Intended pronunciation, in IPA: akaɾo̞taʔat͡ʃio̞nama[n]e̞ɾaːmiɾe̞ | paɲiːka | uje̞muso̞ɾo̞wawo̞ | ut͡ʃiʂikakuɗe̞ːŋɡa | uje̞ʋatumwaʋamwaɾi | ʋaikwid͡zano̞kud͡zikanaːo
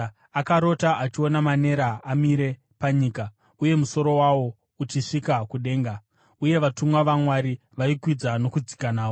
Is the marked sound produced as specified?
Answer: yes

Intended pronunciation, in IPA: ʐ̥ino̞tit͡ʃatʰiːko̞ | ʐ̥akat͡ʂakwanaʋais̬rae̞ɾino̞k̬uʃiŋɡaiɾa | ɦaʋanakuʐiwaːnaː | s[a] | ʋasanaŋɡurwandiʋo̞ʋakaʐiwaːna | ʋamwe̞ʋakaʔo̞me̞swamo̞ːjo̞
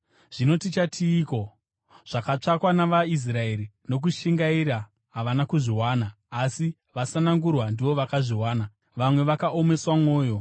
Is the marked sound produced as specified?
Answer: no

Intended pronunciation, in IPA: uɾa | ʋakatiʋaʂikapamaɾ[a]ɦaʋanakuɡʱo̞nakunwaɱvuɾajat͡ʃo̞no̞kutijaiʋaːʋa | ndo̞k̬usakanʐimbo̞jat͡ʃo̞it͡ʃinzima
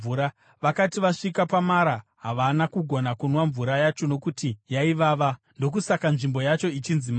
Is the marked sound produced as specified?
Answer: yes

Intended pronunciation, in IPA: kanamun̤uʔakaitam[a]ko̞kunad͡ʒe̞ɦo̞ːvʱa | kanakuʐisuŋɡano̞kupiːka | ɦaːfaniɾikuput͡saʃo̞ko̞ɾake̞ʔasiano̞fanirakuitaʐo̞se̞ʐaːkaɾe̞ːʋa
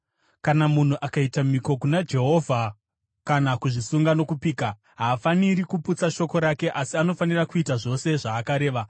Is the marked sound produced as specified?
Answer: no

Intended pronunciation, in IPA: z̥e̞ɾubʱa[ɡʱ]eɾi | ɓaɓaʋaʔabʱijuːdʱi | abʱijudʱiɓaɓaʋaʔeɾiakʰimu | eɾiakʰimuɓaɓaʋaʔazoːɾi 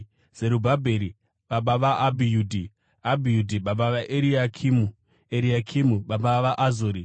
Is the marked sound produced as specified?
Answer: no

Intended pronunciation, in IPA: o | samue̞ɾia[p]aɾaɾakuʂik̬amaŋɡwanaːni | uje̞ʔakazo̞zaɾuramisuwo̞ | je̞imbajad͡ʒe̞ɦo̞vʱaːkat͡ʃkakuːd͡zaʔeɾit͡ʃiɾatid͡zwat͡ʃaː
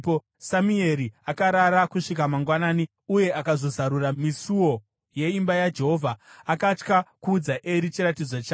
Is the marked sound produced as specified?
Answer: no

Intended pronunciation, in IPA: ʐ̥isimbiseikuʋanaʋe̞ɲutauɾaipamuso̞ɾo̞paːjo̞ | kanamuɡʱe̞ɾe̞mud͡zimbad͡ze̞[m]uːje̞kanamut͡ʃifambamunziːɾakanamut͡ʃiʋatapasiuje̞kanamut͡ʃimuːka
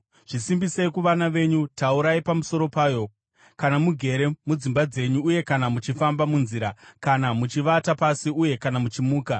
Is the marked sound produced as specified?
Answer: no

